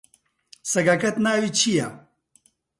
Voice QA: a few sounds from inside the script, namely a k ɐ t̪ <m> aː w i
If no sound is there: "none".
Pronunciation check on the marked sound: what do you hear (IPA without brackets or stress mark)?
n